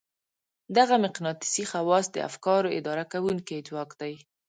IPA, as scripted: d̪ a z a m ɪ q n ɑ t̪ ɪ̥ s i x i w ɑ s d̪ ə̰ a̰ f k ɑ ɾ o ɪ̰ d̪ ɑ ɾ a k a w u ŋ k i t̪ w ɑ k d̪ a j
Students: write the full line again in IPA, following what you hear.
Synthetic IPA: d̪ a ɣ a m ɪ q n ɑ t̪ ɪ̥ s i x a w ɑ s d̪ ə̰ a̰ f k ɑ ɾ o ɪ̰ d̪ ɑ ɾ a k a w u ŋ k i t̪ w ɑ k d̪ a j